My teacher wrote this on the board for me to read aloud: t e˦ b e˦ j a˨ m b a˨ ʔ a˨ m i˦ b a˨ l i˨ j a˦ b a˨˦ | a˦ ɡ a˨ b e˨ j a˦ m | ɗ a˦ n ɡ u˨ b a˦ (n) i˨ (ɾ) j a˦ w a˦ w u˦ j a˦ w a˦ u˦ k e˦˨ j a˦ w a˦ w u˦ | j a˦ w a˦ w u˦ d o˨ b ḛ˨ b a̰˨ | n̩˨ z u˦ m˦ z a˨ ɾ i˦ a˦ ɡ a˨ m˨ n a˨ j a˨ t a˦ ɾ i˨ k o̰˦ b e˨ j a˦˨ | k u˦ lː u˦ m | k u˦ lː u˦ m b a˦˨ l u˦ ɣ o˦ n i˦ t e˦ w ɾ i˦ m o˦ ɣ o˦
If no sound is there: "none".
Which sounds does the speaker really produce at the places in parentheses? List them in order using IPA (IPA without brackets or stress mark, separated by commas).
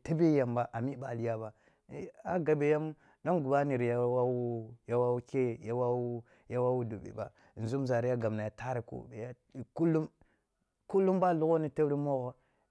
n, ɾ